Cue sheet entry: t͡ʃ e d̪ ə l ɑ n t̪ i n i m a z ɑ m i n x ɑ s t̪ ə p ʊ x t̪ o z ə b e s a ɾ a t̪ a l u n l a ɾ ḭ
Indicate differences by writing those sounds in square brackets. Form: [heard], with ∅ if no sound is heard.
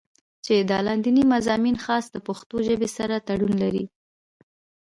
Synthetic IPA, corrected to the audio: t͡ʃ e d̪ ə l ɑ n [d̪] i n i m a z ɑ m i n x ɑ s [d̪] ə p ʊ x t̪ o [ʒ] ə b e s a ɾ a t̪ a [ɽ] u n l a ɾ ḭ